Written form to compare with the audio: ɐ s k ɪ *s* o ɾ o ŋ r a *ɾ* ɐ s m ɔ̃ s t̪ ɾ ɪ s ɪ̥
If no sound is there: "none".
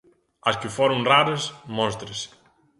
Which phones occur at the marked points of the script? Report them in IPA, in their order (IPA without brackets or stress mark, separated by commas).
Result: f, ɾ